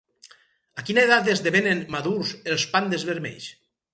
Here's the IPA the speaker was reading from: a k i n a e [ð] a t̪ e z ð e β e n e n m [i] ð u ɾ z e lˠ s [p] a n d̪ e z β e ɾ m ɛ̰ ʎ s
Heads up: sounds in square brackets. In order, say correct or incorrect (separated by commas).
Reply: correct, incorrect, correct